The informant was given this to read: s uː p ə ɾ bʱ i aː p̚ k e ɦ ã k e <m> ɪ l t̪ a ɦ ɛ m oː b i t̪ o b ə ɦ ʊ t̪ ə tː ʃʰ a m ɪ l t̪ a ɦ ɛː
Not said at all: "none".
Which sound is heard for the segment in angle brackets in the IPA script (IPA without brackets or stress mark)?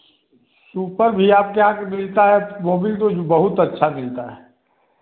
m